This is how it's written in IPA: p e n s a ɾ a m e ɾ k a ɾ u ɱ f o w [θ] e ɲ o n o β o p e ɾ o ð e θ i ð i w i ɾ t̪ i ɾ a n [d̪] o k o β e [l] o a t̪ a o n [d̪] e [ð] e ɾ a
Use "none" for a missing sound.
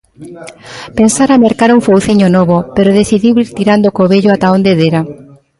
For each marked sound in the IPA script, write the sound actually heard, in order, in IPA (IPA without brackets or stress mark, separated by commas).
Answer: θ, d̪, ʎ, d̪, ð